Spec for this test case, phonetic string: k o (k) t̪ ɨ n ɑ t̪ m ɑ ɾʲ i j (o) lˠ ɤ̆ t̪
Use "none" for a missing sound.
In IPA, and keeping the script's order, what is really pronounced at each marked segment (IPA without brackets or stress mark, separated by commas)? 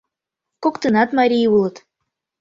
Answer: k, u